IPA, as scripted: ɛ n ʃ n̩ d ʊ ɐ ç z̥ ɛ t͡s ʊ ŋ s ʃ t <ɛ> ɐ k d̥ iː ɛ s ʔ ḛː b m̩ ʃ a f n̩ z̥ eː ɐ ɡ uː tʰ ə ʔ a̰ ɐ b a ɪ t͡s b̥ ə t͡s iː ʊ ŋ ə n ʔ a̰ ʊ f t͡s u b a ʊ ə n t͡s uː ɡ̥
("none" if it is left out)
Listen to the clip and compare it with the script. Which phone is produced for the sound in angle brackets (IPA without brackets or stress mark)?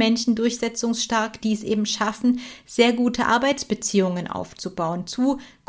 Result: a